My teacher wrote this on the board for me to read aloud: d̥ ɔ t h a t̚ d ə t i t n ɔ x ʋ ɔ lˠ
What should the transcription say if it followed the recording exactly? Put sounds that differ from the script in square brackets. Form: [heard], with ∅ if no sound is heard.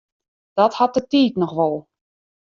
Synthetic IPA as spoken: d̥ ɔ t h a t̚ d ə t [iː] t n ɔ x ʋ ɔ lˠ